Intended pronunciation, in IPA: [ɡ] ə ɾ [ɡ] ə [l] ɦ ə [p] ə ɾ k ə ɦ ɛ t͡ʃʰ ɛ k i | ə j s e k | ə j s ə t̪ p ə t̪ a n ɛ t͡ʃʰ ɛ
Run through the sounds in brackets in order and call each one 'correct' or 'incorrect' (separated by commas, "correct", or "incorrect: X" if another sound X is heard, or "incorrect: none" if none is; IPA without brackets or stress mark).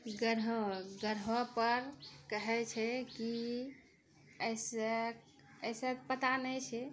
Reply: correct, correct, incorrect: ɾ, correct